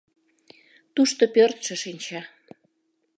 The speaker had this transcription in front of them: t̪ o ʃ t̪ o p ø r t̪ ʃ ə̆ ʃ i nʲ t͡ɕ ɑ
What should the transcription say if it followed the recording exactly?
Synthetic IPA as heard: t̪ u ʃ t̪ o p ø r t̪ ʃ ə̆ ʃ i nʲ t͡ɕ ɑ